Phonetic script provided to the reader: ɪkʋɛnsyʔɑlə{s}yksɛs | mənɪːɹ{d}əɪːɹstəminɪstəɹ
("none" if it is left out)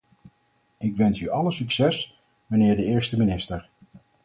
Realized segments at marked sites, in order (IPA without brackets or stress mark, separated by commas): s, d